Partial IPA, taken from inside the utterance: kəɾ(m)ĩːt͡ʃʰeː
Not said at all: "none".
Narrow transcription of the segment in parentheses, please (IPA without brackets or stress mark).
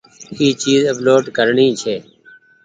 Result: ɳ